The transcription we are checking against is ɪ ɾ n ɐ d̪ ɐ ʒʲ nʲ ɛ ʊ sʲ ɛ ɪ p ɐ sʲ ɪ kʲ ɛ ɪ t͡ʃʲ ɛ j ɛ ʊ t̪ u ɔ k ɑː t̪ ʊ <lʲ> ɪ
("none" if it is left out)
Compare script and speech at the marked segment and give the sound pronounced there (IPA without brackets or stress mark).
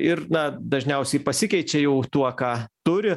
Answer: ɾʲ